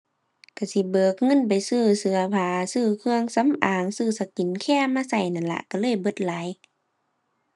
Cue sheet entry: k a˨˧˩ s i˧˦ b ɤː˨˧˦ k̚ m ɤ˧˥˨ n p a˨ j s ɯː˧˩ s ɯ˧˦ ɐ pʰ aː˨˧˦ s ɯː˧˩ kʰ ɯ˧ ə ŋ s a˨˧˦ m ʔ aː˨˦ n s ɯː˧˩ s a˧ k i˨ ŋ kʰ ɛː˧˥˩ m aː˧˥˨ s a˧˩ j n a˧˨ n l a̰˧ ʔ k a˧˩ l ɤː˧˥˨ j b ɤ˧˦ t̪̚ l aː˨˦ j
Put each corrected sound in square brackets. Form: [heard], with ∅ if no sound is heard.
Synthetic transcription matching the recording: k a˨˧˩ s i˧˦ b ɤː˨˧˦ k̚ [ŋ] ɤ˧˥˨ n p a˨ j s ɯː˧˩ s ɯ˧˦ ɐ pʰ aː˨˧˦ s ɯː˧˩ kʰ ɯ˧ ə ŋ s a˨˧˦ m ʔ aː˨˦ [ŋ] s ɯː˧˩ s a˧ k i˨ [n] kʰ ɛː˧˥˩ m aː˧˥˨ s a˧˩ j n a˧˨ n l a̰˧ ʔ k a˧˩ l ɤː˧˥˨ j b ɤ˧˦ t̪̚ l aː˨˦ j